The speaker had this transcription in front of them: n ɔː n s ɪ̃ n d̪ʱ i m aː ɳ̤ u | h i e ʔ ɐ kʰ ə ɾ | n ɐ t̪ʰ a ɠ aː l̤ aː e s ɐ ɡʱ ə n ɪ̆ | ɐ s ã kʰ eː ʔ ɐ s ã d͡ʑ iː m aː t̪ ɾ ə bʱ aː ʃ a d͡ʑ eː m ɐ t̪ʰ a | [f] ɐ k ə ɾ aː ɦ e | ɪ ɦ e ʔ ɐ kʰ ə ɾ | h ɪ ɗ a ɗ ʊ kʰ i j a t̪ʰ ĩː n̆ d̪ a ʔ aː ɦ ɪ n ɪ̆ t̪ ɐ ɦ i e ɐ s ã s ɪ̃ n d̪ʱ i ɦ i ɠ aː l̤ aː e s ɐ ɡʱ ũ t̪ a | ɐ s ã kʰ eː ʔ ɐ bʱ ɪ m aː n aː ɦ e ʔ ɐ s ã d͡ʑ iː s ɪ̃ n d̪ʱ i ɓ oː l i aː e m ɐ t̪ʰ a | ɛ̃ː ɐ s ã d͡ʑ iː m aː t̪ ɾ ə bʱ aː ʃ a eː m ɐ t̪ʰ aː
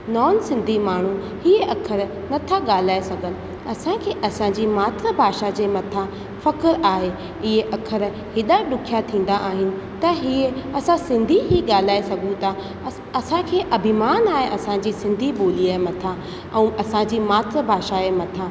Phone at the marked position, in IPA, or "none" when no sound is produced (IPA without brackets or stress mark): f